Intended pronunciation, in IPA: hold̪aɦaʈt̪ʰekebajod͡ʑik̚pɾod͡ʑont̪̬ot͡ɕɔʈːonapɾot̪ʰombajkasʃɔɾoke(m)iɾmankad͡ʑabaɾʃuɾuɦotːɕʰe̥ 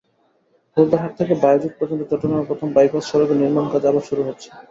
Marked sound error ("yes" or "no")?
yes